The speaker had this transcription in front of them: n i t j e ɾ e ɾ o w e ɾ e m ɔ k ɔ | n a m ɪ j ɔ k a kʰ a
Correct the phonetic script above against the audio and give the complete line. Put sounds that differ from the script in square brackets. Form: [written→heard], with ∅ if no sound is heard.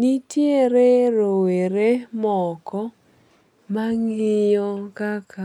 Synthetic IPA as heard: n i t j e ɾ e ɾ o w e ɾ e m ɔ k ɔ | [n→m] a [m→ŋ] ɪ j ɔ k a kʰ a